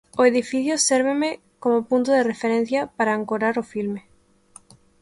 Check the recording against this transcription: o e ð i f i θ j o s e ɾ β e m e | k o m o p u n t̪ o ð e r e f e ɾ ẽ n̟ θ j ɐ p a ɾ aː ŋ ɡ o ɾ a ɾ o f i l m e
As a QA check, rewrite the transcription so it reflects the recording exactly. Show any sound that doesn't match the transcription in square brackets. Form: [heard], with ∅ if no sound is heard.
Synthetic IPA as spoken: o e ð i f i θ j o s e ɾ β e m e | k o m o p u n t̪ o ð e r e f e ɾ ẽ n̟ θ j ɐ p a ɾ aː ŋ [k] o ɾ a ɾ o f i l m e